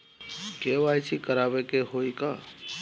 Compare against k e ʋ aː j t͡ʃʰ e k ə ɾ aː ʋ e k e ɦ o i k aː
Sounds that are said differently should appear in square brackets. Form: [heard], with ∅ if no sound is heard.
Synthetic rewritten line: k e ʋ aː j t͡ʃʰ [i] k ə ɾ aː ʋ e k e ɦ o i k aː